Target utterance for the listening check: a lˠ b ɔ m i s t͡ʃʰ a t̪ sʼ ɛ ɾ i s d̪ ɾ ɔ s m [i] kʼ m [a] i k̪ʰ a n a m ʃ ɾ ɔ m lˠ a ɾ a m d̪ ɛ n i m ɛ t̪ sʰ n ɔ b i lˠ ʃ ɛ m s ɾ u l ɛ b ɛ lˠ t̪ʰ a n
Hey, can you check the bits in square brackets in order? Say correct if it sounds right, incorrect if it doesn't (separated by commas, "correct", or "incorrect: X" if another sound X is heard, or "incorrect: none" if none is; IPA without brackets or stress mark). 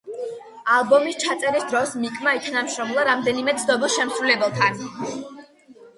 correct, correct